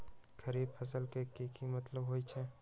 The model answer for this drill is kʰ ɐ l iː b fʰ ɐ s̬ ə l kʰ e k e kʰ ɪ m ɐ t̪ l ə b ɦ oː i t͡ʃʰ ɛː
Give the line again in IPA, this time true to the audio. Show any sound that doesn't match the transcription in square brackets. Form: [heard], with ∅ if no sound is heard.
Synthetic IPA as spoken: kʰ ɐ [ɾ] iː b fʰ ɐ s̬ ə l [k] e k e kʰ [i] m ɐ t̪ l ə b ɦ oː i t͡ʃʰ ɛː